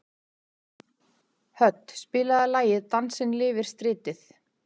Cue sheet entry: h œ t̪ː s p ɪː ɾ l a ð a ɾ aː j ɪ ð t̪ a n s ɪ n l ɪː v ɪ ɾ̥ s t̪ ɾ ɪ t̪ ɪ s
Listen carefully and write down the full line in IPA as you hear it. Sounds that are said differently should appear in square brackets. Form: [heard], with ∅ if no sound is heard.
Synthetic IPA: h œ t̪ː s p ɪː [∅] l a ð a [l] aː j ɪ ð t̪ a n s ɪ n l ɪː v ɪ ɾ̥ s t̪ ɾ [ɪː] t̪ ɪ [θ]